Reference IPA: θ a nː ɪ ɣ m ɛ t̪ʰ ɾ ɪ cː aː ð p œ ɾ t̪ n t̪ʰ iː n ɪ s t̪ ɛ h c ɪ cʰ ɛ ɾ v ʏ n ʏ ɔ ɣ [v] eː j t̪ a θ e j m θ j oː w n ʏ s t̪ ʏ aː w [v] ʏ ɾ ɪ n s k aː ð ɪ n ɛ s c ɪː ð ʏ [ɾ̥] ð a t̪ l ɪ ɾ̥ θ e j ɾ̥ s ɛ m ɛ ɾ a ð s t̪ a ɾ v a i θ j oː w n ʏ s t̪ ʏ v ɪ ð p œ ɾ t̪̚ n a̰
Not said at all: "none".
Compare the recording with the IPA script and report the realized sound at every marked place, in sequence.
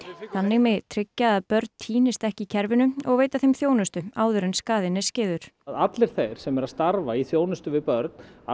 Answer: v, ð, ɾ̥

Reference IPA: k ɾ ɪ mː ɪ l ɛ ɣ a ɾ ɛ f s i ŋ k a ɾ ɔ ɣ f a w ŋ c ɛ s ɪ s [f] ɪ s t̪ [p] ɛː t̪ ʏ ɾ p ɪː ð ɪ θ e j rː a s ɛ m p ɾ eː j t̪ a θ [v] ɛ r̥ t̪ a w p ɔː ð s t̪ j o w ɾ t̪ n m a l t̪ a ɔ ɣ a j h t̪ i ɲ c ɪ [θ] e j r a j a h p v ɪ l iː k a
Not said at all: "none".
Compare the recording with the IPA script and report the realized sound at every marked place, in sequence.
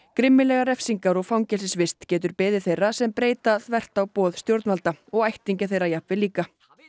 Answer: v, c, v, θ

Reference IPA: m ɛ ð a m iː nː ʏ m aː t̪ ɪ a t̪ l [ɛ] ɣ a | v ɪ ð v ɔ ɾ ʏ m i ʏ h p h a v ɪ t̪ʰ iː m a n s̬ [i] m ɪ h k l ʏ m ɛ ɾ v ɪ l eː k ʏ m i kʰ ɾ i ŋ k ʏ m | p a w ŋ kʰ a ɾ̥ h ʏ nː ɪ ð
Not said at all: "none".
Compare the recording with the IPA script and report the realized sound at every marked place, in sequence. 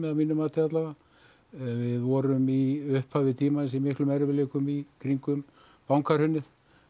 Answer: a, i

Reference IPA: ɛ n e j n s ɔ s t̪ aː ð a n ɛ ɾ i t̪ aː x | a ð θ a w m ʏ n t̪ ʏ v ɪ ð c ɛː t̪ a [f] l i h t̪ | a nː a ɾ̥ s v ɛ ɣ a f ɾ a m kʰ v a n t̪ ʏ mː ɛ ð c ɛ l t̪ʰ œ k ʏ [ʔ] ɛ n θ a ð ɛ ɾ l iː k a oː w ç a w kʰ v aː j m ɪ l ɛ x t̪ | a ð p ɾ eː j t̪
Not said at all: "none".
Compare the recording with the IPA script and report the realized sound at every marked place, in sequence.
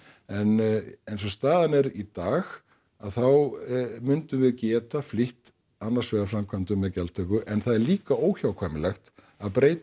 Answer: f, ʔ

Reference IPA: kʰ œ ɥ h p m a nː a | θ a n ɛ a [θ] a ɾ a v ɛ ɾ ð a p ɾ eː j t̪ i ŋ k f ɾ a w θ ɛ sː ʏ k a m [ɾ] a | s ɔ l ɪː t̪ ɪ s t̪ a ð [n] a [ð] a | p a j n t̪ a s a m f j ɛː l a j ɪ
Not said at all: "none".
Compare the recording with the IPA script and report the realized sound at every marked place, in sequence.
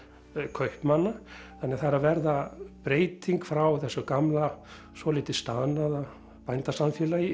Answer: θ, l, n, ð

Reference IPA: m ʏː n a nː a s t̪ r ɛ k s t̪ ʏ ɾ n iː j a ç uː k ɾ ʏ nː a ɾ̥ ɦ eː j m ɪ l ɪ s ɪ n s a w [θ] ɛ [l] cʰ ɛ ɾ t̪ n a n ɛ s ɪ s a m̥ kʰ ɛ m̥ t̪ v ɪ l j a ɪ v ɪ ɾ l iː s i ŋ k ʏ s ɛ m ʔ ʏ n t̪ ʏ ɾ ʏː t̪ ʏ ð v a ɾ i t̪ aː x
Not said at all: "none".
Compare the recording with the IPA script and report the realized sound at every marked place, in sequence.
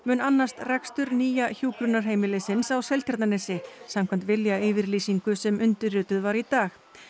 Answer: s, l

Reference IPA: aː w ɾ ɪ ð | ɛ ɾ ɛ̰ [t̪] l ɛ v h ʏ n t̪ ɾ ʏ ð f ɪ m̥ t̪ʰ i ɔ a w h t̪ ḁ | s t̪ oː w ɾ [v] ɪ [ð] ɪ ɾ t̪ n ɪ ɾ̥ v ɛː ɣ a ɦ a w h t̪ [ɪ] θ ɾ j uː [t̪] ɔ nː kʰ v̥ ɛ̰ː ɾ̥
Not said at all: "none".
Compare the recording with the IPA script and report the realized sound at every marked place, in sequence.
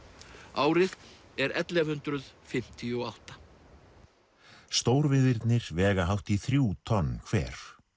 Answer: t̪, v, ð, i, t̪ʰ

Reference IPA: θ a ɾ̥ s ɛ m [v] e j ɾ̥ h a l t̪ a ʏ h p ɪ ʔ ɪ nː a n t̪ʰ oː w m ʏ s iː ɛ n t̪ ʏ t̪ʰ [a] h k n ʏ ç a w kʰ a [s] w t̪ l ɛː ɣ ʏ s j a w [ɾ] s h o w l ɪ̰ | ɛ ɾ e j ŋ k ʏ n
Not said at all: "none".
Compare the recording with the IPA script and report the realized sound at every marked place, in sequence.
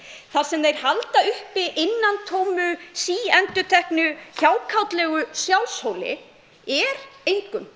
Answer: ð, ɛ, none, l

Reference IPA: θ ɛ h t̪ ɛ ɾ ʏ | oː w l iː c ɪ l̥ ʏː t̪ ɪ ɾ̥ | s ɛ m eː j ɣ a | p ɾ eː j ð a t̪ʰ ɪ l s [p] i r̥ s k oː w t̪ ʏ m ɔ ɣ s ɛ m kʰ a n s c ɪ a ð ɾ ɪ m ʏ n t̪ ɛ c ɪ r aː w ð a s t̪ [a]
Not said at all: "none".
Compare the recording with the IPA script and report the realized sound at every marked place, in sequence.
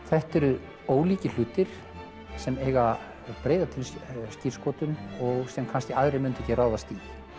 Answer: c, i

